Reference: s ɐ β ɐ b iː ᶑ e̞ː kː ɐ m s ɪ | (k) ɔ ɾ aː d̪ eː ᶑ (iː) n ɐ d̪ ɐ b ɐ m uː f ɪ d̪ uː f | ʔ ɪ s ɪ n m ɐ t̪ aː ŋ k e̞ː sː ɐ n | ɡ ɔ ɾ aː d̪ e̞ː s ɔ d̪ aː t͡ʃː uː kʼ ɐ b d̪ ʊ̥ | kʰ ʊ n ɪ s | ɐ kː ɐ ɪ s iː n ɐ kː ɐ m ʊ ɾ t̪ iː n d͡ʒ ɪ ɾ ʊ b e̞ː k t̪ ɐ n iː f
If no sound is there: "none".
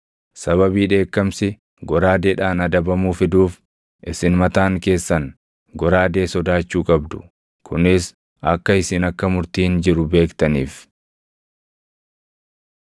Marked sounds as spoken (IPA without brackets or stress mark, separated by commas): ɡ, aː